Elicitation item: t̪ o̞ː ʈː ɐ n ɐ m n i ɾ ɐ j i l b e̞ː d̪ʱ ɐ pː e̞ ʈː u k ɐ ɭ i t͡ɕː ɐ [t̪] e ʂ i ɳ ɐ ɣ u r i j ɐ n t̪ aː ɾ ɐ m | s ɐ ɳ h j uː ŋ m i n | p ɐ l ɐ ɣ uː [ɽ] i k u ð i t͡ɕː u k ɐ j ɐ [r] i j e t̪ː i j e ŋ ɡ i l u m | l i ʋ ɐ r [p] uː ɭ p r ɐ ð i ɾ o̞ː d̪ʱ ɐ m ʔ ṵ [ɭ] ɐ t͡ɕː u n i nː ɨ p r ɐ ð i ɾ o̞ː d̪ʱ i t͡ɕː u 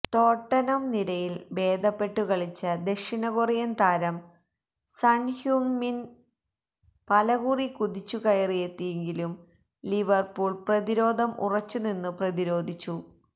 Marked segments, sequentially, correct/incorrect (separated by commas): incorrect, incorrect, correct, correct, incorrect